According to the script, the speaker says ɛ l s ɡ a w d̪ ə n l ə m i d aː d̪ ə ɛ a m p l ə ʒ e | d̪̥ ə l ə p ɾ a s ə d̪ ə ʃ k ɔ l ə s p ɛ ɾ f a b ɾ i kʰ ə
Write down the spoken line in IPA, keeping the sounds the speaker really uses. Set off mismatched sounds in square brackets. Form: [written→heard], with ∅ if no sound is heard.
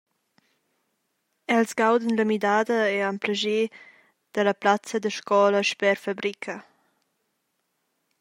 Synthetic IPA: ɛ l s ɡ a w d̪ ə n l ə m i d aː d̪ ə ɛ a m p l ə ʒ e | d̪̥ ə l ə p [ɾ→l] a [s→t͡s] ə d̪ ə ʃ k ɔ l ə [s→ʃ] p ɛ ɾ f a b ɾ i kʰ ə